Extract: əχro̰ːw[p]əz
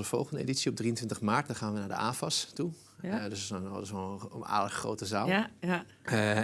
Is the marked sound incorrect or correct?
incorrect